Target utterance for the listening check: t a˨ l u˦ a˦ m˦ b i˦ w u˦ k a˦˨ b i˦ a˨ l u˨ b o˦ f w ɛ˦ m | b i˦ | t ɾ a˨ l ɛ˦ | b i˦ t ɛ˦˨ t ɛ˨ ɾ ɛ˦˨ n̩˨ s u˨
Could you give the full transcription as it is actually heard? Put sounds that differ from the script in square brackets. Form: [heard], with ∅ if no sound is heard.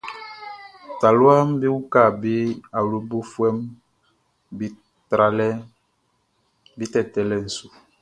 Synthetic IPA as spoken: t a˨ l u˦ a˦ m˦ b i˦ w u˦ k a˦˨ b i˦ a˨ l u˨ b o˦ f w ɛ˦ m | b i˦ | t ɾ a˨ l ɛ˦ | b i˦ t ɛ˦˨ t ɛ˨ [l] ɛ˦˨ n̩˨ s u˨